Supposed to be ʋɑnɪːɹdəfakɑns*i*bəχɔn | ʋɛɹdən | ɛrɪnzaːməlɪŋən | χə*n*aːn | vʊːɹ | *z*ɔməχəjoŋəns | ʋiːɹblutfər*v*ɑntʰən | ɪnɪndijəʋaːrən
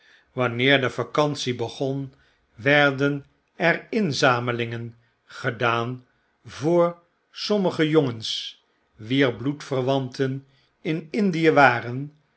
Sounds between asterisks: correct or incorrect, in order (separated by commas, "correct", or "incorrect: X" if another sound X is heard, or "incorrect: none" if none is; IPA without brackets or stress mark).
correct, incorrect: d, incorrect: s, incorrect: ʋ